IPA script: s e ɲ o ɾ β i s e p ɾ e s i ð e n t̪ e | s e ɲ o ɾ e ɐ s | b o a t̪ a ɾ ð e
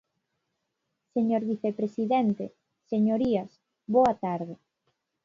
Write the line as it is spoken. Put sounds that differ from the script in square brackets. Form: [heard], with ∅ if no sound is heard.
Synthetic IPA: s e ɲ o ɾ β i [θ] e p ɾ e s i ð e n t̪ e | s e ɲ o ɾ [i] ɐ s | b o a t̪ a ɾ ð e